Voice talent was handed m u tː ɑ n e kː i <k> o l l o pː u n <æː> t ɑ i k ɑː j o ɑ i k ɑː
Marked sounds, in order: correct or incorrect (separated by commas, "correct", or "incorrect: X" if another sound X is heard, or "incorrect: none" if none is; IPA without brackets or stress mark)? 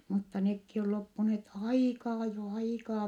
incorrect: none, incorrect: eː